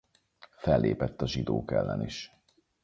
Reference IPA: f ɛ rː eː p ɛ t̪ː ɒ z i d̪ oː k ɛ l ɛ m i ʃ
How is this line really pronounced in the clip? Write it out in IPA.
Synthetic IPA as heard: f ɛ lː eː p ɛ t̪ː ɒ ʒ i d̪ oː k ɛ lː ɛ n i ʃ